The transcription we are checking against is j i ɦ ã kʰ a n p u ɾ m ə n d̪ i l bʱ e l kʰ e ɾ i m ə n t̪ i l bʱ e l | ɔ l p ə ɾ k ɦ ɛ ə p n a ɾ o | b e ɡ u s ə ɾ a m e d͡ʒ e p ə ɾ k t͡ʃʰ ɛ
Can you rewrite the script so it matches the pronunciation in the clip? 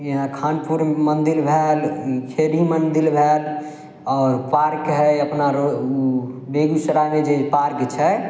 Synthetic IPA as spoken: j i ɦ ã kʰ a n p u ɾ m ə n d̪ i l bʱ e l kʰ e ɾ i m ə n d̪ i l bʱ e l | ɔ ɾ p a ɾ k ɦ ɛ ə p n a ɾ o | b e ɡ u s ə ɾ a m e d͡ʒ e p a ɾ k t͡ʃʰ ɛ